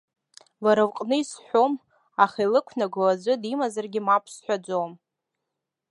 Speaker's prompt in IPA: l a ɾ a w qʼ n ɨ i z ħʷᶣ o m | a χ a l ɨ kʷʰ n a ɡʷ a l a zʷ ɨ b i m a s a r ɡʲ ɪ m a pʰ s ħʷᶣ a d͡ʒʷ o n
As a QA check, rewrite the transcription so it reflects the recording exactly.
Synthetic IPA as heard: l a ɾ a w qʼ n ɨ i s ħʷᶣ o m | a χ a l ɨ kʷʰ n a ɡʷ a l a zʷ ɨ d i m a z a r ɡʲ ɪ m a pʰ s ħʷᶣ a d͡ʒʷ o m